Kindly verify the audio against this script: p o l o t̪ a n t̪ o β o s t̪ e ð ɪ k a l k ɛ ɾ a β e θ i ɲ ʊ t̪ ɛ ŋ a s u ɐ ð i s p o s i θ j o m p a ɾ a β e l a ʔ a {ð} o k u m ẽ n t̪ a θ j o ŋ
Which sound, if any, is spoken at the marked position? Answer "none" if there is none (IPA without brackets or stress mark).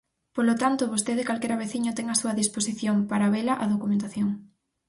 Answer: ð